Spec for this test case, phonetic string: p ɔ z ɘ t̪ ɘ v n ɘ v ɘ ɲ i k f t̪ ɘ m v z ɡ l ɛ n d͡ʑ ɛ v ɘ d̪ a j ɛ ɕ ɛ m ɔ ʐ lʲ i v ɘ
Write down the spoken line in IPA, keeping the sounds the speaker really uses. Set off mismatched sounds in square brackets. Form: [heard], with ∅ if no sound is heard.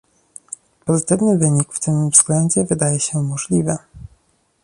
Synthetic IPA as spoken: p ɔ z ɘ t̪ ɘ v n ɘ v ɘ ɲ i k f t̪ ɘ m v z ɡ l ɛ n d͡ʑ ɛ v ɘ d̪ a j ɛ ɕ ɛ m ɔ ʐ lʲ i v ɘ